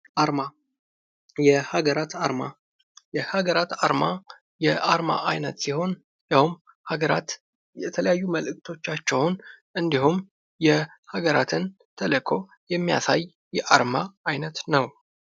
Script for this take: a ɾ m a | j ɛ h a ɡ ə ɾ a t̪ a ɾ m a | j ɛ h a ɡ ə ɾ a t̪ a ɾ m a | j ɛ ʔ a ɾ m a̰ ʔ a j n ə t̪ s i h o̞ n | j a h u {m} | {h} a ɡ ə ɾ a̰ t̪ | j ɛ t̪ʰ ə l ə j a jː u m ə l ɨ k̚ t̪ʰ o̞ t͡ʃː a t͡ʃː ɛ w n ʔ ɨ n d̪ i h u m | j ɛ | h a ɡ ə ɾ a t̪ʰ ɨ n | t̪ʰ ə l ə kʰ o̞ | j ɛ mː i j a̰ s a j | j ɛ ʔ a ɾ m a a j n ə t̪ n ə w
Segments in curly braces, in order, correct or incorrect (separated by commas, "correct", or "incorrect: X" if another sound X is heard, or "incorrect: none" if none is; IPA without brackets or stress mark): correct, correct